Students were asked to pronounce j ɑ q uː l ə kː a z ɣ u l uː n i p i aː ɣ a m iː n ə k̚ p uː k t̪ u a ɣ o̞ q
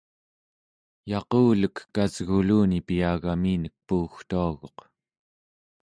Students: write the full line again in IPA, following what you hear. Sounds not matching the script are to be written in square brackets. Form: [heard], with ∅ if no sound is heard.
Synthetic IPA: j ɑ q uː l ə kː a z ɣ u l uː n i p i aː ɣ a m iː n ə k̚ p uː [x] t̪ u a ɣ o̞ q

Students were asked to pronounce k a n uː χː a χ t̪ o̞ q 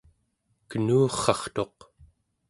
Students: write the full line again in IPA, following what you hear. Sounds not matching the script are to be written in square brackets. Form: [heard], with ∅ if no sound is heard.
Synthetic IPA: k [ə] n uː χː [ɑ] χ t̪ o̞ q

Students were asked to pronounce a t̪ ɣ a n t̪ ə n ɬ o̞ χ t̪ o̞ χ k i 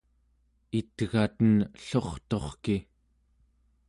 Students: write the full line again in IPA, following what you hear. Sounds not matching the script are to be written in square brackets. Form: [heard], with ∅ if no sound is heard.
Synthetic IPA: [i] t̪ ɣ a [∅] t̪ ə n ɬ o̞ χ t̪ o̞ χ k i

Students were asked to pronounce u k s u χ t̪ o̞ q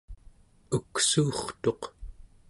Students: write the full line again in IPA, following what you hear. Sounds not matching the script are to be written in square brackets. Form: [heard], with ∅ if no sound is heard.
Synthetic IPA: u k s [uː] χ t̪ o̞ q

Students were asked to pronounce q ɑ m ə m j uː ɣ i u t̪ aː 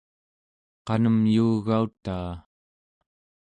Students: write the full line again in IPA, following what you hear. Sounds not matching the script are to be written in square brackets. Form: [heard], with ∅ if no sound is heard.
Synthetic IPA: q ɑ [n] ə m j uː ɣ [a] u t̪ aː

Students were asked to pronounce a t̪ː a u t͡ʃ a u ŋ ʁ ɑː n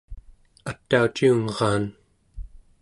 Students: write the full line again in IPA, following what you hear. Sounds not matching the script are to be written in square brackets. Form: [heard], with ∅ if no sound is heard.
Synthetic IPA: a t̪ː a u t͡ʃ [i] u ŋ ʁ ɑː n

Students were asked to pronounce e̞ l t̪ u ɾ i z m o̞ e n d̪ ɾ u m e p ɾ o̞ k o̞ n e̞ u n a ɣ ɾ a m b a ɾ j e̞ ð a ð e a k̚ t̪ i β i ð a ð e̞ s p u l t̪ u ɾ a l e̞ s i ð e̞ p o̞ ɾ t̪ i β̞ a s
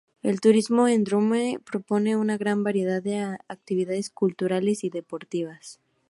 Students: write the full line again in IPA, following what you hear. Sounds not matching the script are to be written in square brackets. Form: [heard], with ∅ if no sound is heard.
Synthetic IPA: e̞ l t̪ u ɾ i z m o̞ e n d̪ ɾ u m e p ɾ o̞ [p] o̞ n e̞ u n a ɣ ɾ a m b a ɾ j e̞ ð a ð e a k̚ t̪ i β i ð a ð e̞ s [k] u l t̪ u ɾ a l e̞ s i ð e̞ p o̞ ɾ t̪ i β̞ a s

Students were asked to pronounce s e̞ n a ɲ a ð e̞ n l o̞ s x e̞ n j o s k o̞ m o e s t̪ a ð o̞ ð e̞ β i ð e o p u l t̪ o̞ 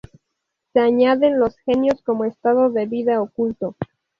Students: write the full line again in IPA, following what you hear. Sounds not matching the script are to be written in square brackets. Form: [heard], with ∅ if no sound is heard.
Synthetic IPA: s e̞ [∅] a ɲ a ð e̞ n l o̞ s x e̞ n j o s k o̞ m o e s t̪ a ð o̞ ð e̞ β i ð [a] o [k] u l t̪ o̞

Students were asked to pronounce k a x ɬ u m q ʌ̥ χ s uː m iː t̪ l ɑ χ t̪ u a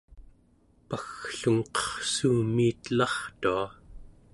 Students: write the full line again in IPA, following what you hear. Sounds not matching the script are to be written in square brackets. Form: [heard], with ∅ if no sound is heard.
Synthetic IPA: [p] a x ɬ u [ŋ] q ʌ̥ χ s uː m iː t̪ l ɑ χ t̪ u a

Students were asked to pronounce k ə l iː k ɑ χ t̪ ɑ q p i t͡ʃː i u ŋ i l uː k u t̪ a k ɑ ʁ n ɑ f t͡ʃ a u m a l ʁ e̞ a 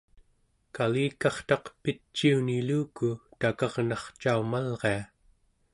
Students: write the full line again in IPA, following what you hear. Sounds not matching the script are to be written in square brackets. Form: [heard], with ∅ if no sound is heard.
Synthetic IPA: k [a] l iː k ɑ χ t̪ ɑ q p i t͡ʃː i u [n] i l uː k u t̪ a k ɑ ʁ n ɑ [χ] t͡ʃ a u m a l ʁ e̞ a

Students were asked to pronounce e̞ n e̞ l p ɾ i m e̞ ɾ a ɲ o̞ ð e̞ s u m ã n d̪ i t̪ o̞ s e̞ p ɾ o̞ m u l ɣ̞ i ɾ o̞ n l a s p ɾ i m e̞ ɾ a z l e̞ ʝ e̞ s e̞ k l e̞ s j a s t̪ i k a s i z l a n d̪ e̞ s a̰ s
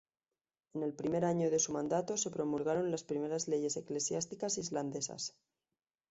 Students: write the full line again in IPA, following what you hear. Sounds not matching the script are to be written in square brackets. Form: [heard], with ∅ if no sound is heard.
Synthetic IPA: e̞ n e̞ l p ɾ i m e̞ ɾ a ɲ o̞ ð e̞ s u m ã n d̪ [a] t̪ o̞ s e̞ p ɾ o̞ m u l ɣ̞ [a] ɾ o̞ n l a s p ɾ i m e̞ ɾ a z l e̞ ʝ e̞ s e̞ k l e̞ s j a s t̪ i k a s i z l a n d̪ e̞ s a̰ s

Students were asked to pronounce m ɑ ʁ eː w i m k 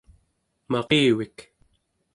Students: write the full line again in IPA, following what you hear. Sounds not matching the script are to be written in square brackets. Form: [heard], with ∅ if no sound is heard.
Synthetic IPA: m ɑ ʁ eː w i [∅] k

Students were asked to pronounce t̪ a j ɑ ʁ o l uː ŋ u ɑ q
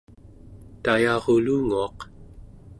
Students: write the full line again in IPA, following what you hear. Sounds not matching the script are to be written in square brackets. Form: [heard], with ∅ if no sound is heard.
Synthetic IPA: t̪ a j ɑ ʁ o l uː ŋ u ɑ q

